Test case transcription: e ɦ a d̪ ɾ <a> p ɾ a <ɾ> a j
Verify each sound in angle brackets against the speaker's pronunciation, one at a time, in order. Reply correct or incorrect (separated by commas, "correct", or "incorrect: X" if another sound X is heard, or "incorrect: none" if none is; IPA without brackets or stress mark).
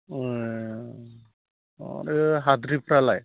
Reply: incorrect: i, incorrect: l